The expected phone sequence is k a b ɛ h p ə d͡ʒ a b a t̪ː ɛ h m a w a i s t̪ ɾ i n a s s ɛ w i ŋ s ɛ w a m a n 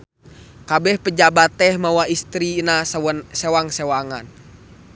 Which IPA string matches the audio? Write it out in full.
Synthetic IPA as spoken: k a b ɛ h p ə d͡ʒ a b a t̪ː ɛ h m a w a i s t̪ ɾ i n a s s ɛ w a ŋ s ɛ w a ŋ a n

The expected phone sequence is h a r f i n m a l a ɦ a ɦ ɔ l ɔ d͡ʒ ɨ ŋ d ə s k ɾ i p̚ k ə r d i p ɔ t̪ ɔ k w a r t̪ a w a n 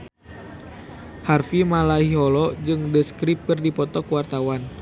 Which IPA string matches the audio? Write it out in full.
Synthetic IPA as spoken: h a r f i m a l a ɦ i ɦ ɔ l ɔ d͡ʒ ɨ ŋ d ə s k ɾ i p̚ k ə r d i p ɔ t̪ ɔ k w a r t̪ a w a n

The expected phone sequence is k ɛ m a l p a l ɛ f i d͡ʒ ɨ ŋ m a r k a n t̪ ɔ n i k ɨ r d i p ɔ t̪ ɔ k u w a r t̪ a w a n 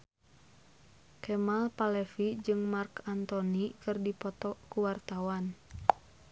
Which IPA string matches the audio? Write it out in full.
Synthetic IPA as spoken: k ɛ m a l p a l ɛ f i d͡ʒ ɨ ŋ m a r k a n t̪ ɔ n i k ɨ r d i p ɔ t̪ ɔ k u w a r t̪ a w a n

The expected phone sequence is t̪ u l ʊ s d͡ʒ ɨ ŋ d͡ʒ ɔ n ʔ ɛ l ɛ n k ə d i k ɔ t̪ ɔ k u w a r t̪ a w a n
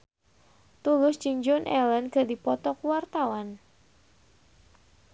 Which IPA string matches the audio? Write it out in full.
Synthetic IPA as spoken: t̪ u l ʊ s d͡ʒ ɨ ŋ d͡ʒ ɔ n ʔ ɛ l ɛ n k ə d i p ɔ t̪ ɔ k u w a r t̪ a w a n

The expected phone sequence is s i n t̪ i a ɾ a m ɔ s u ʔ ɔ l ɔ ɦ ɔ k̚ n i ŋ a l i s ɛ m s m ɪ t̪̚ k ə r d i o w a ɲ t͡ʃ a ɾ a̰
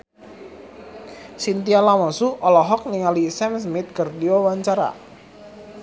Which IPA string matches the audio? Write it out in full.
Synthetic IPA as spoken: s i n t̪ i a l a m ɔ s u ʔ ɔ l ɔ ɦ ɔ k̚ n i ŋ a l i s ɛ m s m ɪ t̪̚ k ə r d i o w a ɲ t͡ʃ a ɾ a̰

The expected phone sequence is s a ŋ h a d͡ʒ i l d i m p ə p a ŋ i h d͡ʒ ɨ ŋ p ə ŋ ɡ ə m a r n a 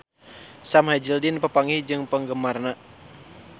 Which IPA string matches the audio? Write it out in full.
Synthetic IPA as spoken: s a m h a d͡ʒ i l d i n p ə p a ŋ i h d͡ʒ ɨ ŋ p ə ŋ ɡ ə m a r n a

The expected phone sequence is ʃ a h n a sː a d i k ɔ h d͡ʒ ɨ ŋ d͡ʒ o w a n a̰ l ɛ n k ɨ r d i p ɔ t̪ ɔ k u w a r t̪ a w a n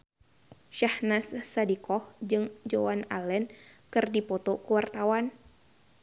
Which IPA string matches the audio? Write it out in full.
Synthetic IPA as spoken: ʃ a h n a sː a d i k ɔ h d͡ʒ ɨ ŋ d͡ʒ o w a n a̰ l ɛ n k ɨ r d i p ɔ t̪ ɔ k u w a r t̪ a w a n

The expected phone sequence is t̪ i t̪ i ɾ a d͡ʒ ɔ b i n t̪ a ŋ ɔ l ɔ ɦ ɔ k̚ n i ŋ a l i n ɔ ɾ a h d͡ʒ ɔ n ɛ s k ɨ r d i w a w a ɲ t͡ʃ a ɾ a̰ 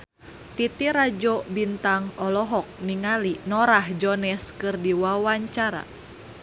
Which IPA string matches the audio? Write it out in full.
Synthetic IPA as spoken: t̪ i t̪ i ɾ a d͡ʒ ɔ b i n t̪ a ŋ ɔ l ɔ ɦ ɔ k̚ n i ŋ a l i n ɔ ɾ a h d͡ʒ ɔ n ɛ s k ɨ r d i w a w a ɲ t͡ʃ a ɾ a̰

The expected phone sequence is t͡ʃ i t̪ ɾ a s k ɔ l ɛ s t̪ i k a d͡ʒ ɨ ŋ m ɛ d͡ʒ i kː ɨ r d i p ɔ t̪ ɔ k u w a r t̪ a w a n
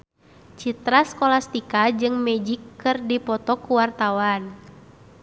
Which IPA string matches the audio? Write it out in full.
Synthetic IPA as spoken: t͡ʃ i t̪ ɾ a s k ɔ l a s t̪ i k a d͡ʒ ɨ ŋ m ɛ d͡ʒ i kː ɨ r d i p ɔ t̪ ɔ k u w a r t̪ a w a n

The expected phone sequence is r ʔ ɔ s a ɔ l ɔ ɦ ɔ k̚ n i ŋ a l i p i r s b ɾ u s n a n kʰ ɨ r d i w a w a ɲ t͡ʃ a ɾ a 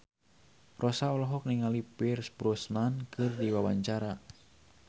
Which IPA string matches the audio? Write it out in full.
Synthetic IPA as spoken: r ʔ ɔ s a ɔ l ɔ ɦ ɔ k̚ n i ŋ a l i p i r s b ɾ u s n a n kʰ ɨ r d i w a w a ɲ t͡ʃ a ɾ a

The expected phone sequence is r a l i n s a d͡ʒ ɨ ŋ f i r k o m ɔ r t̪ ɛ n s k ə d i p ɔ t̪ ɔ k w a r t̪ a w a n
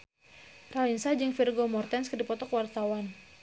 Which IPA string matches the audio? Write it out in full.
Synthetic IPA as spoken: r a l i n s a d͡ʒ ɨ ŋ f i r ɡ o m ɔ r t̪ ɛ n s k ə d i p ɔ t̪ ɔ k w a r t̪ a w a n

